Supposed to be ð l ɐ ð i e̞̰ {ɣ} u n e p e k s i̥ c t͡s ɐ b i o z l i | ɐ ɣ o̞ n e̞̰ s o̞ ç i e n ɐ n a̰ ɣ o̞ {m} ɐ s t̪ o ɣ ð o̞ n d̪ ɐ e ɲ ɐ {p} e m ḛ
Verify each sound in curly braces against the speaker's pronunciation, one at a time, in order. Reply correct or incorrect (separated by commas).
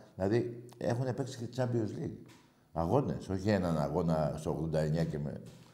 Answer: incorrect, incorrect, incorrect